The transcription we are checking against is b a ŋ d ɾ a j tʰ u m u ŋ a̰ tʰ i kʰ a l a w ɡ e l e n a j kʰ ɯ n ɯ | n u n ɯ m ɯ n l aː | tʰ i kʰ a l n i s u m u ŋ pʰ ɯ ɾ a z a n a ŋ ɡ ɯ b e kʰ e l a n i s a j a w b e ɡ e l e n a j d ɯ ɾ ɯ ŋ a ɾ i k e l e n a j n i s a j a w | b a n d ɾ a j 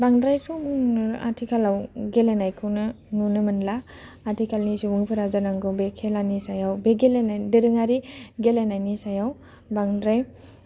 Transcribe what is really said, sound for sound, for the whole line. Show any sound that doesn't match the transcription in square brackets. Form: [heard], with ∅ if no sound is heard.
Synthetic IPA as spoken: b a ŋ d ɾ a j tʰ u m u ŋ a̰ tʰ i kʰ a l a w ɡ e l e n a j kʰ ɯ n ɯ | n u n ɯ m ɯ n l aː | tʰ i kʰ a l n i s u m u ŋ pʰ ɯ ɾ a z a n a ŋ ɡ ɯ b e kʰ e l a n i s a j a w b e ɡ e l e n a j d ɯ ɾ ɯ ŋ a ɾ i [ɡ] e l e n a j n i s a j a w | b a [ŋ] d ɾ a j